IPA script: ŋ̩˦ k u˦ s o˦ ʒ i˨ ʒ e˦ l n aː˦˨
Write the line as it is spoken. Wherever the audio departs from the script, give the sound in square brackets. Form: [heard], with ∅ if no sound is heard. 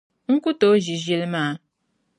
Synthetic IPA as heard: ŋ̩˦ k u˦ [t] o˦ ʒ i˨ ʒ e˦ l [m] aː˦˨